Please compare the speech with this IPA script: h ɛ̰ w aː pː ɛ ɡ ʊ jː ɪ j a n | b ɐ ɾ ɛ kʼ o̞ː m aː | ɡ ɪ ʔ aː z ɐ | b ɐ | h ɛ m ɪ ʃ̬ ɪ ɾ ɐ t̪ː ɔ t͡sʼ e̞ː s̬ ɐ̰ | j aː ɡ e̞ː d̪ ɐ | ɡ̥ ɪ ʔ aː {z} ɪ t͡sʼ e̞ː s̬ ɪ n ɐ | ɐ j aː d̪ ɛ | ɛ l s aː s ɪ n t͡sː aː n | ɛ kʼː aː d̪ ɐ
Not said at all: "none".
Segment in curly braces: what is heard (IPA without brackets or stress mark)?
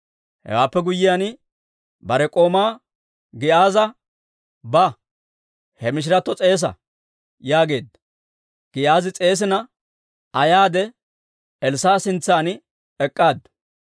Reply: z